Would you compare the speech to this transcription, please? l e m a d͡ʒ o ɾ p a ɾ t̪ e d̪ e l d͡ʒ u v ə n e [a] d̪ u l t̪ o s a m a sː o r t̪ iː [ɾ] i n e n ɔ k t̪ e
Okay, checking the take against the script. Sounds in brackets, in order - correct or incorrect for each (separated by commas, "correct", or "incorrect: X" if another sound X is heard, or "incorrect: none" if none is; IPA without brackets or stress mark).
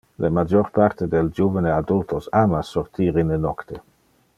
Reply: correct, correct